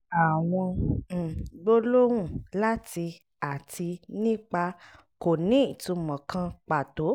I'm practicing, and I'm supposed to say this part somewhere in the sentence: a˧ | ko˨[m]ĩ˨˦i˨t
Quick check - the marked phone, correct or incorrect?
incorrect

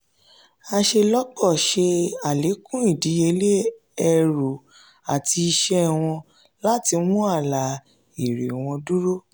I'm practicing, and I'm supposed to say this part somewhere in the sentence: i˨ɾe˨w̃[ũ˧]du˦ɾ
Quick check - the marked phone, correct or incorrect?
incorrect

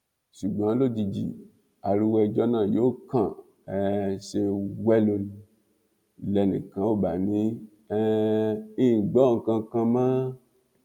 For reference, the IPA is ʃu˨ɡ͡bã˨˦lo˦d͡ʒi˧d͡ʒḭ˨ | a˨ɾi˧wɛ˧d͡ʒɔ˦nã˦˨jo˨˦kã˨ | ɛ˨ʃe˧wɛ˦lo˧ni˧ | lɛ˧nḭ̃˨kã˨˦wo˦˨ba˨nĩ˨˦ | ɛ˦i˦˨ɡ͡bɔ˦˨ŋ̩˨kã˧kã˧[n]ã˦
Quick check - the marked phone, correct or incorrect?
incorrect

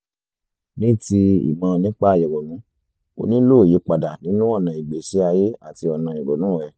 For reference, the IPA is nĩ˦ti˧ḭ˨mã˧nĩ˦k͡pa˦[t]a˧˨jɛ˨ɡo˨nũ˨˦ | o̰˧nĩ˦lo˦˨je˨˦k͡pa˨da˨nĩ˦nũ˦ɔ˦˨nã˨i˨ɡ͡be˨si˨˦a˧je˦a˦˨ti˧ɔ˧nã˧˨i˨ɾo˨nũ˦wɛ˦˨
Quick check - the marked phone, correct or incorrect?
incorrect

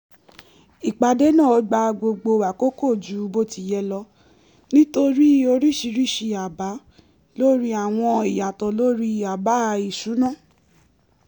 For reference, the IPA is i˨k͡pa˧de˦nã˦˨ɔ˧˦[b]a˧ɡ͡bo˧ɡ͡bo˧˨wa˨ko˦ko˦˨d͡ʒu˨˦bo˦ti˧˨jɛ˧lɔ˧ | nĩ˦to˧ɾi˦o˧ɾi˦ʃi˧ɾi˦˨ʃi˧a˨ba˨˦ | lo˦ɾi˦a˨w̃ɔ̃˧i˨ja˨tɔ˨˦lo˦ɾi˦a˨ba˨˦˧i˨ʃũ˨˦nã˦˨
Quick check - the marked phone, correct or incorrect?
incorrect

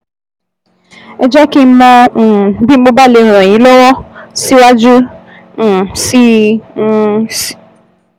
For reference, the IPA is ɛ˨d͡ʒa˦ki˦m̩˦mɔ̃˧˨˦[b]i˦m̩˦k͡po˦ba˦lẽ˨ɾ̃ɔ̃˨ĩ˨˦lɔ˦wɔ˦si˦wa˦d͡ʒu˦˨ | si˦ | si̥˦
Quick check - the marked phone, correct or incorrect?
correct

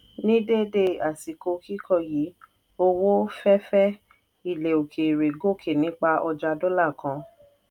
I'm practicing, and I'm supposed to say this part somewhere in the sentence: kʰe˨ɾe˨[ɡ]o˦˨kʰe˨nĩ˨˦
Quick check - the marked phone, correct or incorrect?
correct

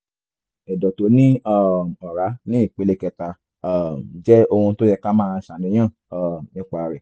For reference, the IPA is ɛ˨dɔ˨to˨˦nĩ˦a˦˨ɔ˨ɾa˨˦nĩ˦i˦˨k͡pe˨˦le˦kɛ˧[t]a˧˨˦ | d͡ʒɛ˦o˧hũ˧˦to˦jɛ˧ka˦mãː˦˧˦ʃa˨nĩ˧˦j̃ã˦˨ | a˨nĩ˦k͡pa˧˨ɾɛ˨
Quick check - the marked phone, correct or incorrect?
correct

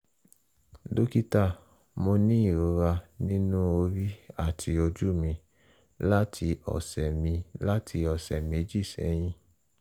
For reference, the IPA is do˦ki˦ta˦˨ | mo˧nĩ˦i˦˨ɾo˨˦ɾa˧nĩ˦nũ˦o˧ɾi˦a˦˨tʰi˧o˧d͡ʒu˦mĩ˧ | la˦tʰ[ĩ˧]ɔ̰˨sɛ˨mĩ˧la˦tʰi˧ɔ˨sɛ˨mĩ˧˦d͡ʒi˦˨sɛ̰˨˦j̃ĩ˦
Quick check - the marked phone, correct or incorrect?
incorrect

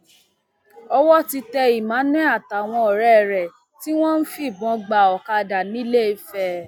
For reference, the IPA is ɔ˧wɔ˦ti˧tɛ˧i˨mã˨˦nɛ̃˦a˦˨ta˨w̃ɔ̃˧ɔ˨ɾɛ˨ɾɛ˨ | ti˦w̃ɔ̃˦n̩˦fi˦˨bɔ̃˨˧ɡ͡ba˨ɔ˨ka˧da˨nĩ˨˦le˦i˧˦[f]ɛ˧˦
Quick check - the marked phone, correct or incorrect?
correct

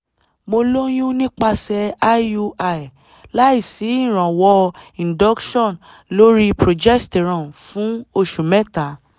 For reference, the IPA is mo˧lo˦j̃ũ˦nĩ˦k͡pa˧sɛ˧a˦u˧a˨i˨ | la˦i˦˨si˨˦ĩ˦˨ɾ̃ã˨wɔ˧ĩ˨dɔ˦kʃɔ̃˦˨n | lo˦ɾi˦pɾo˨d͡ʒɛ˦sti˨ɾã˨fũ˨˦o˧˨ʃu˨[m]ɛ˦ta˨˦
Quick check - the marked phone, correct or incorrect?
correct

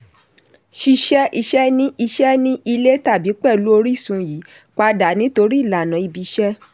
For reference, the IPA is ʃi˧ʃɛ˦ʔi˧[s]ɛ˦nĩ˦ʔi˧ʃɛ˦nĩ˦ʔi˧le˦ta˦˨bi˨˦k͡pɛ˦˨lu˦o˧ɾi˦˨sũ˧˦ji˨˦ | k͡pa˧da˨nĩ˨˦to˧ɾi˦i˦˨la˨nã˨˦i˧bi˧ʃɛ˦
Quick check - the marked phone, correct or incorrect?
incorrect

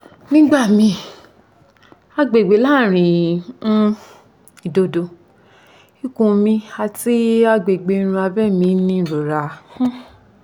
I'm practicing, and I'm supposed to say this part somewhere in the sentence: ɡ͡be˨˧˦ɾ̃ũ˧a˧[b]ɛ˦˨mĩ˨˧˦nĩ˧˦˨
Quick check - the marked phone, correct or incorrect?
correct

